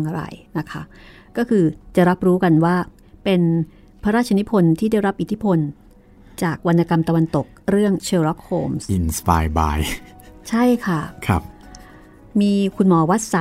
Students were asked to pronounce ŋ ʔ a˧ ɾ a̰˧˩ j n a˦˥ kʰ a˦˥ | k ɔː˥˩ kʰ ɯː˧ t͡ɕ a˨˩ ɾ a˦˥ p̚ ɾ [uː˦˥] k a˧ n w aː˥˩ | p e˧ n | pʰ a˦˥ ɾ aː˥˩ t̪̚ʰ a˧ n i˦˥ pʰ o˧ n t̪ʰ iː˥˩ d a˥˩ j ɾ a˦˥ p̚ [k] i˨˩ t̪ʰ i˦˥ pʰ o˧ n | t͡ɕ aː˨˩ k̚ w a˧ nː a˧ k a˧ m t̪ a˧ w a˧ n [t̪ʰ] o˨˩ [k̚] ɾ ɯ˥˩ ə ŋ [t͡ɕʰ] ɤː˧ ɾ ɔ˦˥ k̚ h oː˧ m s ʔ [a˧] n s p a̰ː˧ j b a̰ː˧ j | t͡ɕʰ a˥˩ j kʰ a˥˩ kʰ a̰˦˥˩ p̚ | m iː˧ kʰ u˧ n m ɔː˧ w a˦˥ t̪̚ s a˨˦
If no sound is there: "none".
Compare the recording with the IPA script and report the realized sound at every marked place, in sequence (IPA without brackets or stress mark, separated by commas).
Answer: uː˦˥, ʔ, t̪, k̚, t͡ɕʰ, i˧